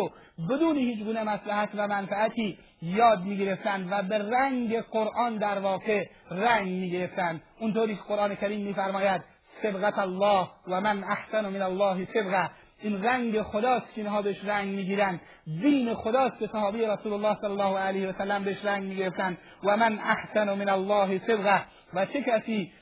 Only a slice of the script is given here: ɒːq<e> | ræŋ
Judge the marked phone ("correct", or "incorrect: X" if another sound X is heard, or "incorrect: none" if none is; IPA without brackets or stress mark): correct